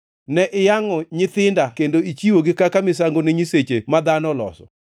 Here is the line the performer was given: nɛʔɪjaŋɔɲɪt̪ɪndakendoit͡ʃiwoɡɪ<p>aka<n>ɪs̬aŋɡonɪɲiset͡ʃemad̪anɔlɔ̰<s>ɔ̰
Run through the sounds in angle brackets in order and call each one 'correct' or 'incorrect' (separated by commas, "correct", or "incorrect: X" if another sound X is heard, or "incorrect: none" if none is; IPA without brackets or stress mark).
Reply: incorrect: k, incorrect: m, correct